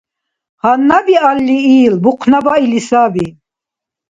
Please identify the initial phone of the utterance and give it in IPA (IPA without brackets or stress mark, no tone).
h